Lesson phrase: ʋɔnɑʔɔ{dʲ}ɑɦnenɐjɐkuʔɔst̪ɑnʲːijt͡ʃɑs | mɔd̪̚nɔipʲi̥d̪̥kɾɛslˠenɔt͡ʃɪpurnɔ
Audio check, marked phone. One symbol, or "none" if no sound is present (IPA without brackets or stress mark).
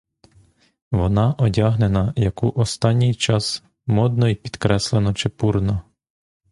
dʲ